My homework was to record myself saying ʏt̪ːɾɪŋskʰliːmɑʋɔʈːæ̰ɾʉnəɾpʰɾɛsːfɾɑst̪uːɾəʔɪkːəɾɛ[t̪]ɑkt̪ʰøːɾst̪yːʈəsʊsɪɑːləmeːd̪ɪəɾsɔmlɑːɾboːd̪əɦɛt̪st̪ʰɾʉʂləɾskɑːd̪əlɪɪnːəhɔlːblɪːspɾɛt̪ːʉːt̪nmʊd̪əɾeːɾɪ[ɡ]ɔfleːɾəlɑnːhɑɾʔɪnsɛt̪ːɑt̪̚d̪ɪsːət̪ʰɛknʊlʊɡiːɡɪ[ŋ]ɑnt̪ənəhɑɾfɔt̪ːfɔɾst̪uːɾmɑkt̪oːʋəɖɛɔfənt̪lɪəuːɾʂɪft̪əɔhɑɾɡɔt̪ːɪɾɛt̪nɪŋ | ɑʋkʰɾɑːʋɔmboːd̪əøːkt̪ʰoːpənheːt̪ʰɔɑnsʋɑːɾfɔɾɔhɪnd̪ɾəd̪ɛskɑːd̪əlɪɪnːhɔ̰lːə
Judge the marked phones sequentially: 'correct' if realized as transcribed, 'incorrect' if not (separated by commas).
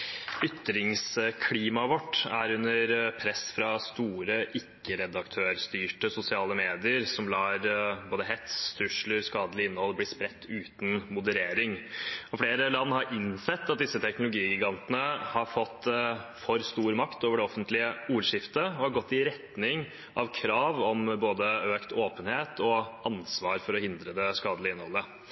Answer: incorrect, incorrect, incorrect